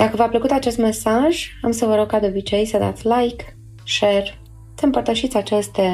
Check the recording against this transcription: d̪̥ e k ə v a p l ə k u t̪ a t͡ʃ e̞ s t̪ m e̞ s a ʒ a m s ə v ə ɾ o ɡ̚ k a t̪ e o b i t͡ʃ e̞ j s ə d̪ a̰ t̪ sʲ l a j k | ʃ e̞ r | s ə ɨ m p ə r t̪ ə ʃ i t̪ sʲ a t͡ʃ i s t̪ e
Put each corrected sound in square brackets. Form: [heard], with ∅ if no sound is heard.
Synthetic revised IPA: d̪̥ [a] k ə v a p l ə k u t̪ a t͡ʃ e̞ s t̪ m e̞ s a ʒ a m s ə v ə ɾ o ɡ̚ k a [d̪] e o b i t͡ʃ e̞ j s ə d̪ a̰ t̪ sʲ l a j k | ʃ e̞ r | s ə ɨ m p ə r t̪ ə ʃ i t̪ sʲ a t͡ʃ [e] s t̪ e